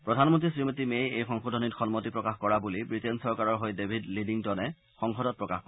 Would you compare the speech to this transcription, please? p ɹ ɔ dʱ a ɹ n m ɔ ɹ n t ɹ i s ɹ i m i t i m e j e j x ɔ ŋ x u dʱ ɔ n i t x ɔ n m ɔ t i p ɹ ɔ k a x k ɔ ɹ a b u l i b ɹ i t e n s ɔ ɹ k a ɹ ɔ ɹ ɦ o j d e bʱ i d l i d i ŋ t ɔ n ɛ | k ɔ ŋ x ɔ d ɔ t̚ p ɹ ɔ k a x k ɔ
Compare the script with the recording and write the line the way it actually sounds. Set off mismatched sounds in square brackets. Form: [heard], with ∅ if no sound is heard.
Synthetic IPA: p ɹ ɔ dʱ a [∅] n m ɔ [∅] n t ɹ i s ɹ i m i t i m e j e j x ɔ ŋ x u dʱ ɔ n i t x ɔ n m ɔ t i p ɹ ɔ k a x k ɔ ɹ a b u l i b ɹ i t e n s ɔ ɹ k a ɹ ɔ ɹ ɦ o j d e bʱ i d l i d i ŋ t ɔ n ɛ | [x] ɔ ŋ x ɔ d ɔ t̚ p ɹ ɔ k a x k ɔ